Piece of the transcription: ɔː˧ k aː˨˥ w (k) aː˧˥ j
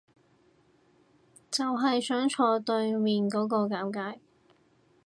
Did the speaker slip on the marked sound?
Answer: no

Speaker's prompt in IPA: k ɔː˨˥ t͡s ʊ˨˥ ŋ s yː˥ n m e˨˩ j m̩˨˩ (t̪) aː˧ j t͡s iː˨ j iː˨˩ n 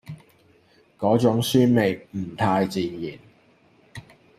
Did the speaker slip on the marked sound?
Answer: yes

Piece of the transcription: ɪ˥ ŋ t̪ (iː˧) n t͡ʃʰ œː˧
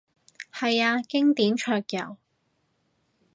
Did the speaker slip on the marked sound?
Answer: yes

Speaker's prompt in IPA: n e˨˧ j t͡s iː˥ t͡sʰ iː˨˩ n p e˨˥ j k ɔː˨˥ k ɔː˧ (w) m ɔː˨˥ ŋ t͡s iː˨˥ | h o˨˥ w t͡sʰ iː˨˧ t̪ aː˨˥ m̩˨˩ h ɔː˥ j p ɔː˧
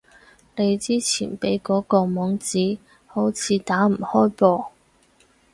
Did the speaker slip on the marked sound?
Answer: yes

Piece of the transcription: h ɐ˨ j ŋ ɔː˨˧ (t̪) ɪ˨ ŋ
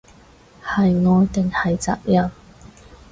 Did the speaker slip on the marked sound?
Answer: no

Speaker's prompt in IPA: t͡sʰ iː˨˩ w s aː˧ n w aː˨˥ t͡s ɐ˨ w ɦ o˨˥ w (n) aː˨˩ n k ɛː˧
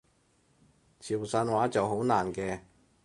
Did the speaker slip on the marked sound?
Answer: no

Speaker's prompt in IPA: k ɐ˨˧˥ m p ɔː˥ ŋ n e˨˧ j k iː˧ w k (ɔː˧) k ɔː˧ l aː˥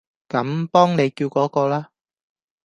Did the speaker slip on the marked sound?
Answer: yes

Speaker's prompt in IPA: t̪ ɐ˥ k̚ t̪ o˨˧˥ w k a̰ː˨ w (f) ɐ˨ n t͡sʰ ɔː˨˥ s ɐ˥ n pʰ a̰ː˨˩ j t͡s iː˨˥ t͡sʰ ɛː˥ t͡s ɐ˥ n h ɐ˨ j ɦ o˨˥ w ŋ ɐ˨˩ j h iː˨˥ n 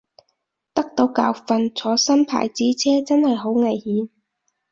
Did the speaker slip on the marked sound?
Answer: no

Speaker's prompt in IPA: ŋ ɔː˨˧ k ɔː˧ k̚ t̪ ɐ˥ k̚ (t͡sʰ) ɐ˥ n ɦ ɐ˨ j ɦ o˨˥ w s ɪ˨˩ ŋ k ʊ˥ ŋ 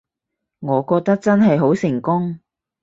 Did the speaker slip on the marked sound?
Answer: yes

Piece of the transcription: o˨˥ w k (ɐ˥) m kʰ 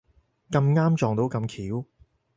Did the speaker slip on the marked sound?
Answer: yes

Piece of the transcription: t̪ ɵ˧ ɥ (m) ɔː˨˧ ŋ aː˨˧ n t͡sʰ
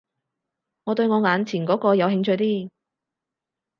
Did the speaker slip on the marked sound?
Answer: yes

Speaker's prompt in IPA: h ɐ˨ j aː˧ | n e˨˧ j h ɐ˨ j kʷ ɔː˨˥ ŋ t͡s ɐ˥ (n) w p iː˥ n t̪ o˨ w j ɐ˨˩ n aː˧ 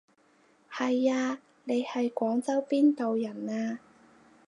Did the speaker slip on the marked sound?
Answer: yes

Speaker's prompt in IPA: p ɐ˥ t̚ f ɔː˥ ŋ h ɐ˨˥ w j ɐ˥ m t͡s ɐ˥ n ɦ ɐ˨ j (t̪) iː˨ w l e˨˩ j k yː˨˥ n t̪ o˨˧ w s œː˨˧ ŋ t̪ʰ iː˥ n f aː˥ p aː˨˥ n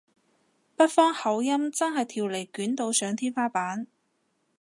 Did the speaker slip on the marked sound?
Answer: yes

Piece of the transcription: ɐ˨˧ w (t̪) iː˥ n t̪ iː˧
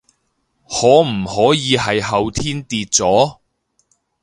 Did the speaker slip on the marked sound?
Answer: yes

